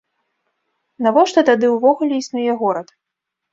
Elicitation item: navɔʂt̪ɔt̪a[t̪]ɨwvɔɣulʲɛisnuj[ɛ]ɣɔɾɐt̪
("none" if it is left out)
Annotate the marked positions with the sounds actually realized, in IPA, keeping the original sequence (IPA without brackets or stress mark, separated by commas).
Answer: d̪, ɛ